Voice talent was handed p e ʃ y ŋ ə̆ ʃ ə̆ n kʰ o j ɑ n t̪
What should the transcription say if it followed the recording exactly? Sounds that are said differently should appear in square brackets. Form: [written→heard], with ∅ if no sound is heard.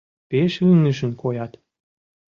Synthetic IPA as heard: p e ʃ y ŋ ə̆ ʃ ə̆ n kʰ o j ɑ [n→∅] t̪